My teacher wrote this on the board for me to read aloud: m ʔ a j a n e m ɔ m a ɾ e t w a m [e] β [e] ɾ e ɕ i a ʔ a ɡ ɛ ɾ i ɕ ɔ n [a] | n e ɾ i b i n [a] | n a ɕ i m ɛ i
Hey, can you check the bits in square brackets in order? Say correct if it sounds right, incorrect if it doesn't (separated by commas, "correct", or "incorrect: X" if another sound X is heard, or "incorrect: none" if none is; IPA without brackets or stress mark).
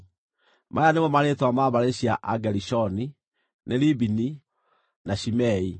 incorrect: a, incorrect: a, incorrect: i, incorrect: i